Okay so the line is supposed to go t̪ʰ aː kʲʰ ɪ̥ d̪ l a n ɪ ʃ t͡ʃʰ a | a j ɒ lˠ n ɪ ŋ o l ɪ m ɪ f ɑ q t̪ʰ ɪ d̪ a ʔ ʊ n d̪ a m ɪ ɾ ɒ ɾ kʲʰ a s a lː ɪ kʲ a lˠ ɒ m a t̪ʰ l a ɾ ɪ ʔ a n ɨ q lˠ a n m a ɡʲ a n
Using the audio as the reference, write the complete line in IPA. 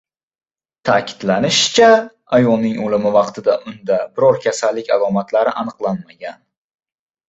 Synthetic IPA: t̪ʰ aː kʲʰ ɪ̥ d̪ l a n ɪ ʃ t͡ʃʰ a | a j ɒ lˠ n ɪ ŋ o l ɪ m ɪ v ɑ q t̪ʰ ɪ d̪ a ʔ ʊ n d̪ a b ɪ ɾ ɒ ɾ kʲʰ a s a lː ɪ kʲ a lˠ ɒ m a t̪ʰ l a ɾ ɪ ʔ a n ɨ q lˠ a n m a ɡʲ a n

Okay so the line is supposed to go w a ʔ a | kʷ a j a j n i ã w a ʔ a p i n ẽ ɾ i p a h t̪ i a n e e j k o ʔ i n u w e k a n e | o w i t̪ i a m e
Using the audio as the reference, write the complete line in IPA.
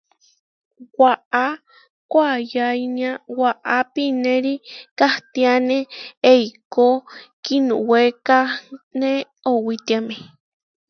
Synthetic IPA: w a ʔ a | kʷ a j a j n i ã w a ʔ a p i n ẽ ɾ i k a h t̪ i a n e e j k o k i n u w e k a n e | o w i t̪ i a m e

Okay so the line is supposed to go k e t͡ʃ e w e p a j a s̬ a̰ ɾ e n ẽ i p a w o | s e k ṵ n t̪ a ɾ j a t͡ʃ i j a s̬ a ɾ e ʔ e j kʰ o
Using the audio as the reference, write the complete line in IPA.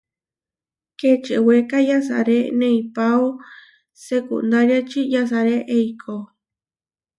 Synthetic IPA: k e t͡ʃ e w e k a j a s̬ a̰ ɾ e n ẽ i p a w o | s e k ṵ n d̪ a ɾ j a t͡ʃ i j a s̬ a ɾ e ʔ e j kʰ o

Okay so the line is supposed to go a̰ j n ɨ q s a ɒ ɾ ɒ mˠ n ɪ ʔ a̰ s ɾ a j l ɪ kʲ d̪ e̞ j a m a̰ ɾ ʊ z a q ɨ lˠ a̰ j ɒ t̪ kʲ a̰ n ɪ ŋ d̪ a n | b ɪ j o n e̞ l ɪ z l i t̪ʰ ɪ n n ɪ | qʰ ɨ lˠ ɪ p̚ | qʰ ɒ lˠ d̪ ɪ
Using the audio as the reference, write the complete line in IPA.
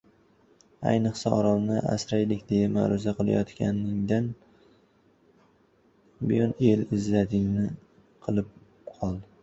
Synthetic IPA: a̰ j n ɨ q s a ɒ ɾ ɒ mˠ n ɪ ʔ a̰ s ɾ a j l ɪ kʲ d̪ e̞ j a m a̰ ɾ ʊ z a q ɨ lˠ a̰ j ɒ t̪ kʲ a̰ n ɪ ŋ d̪ a n | b ɪ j ɒ n e̞ l ɪ z l a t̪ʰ ɪ ŋ n ɪ | qʰ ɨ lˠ ɪ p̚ | qʰ ɒ lˠ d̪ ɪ

